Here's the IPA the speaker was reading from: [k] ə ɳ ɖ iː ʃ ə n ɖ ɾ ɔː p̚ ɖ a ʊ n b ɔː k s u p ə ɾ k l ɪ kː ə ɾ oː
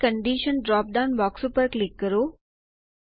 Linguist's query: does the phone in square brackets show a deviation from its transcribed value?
no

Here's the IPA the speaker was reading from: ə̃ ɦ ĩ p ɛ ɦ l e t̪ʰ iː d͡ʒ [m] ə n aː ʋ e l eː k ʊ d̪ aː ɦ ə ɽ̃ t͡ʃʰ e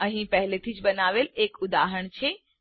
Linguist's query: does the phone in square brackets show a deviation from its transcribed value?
yes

